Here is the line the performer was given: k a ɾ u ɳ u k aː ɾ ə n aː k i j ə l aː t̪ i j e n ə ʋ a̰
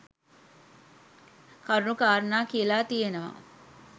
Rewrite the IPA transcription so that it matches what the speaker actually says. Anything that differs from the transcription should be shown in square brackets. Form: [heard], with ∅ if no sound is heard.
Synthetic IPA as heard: k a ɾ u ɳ u k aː ɾ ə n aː k i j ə l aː t̪ i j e n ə ʋ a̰